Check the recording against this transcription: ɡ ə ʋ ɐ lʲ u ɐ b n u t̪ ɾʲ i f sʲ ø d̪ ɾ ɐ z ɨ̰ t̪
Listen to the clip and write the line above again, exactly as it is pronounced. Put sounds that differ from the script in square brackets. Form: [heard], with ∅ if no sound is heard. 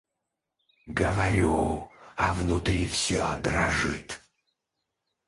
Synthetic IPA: ɡ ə [v] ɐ [ɾʲ] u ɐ [v] n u t̪ ɾʲ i f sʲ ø d̪ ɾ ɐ [ʐ] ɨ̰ t̪